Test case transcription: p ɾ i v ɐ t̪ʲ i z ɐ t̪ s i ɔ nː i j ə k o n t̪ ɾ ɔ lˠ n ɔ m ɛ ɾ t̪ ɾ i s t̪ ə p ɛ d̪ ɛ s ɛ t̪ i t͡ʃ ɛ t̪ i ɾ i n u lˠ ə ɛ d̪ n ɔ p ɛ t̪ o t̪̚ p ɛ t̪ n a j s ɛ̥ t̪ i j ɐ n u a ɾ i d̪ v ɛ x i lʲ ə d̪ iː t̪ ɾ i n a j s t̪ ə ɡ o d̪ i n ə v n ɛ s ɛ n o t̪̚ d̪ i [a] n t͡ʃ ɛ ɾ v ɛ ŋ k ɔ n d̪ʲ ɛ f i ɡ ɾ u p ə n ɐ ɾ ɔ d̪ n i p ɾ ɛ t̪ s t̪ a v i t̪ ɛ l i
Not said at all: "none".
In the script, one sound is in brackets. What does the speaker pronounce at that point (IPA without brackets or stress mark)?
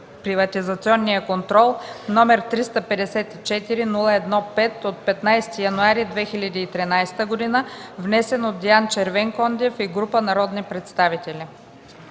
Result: a